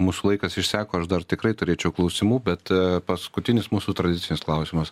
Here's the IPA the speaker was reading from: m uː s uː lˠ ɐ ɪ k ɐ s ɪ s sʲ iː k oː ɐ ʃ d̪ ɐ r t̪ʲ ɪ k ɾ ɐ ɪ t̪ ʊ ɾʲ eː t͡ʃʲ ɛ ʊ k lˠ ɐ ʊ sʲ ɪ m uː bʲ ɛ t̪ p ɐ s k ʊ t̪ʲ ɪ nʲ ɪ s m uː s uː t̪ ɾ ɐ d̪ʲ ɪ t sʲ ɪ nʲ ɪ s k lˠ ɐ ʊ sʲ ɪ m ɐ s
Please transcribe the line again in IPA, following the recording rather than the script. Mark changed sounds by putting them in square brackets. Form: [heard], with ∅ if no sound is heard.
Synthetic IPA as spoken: m uː s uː lˠ ɐ ɪ k ɐ s ɪ [ʃ] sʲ [æː] k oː ɐ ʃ d̪ ɐ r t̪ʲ ɪ k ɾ ɐ ɪ t̪ ʊ ɾʲ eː t͡ʃʲ ɛ ʊ k lˠ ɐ ʊ sʲ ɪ m uː bʲ ɛ t̪ p ɐ s k ʊ t̪ʲ ɪ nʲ ɪ s m uː s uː t̪ ɾ ɐ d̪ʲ ɪ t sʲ ɪ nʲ ɪ s k lˠ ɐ ʊ sʲ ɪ m ɐ s